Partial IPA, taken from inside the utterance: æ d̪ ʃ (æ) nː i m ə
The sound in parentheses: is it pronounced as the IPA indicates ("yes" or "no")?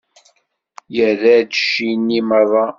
no